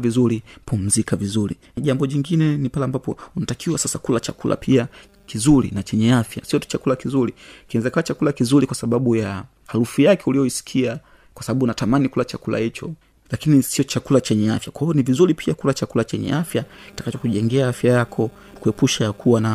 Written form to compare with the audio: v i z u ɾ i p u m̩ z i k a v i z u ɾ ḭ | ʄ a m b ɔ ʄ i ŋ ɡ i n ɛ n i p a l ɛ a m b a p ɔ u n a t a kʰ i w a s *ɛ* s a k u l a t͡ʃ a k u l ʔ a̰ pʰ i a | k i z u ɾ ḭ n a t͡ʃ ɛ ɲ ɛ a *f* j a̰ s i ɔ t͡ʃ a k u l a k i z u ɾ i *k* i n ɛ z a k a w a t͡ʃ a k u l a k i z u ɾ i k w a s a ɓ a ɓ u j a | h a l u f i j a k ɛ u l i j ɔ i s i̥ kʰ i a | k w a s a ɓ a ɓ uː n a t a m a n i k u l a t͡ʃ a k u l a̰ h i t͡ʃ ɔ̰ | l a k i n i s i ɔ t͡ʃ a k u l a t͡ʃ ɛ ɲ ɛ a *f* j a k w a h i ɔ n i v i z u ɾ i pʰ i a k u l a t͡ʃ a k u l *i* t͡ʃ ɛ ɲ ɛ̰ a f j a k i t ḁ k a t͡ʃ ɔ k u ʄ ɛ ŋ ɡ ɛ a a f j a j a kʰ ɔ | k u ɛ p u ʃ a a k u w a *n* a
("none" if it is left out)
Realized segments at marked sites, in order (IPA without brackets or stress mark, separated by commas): a, f, k, f, a, n